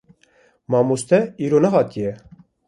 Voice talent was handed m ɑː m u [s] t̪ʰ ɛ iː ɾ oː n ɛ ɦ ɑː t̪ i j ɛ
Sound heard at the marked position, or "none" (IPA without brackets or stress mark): s